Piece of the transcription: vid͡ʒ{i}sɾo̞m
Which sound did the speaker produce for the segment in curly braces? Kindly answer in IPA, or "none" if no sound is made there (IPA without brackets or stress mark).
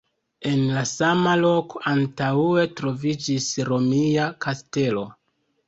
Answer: i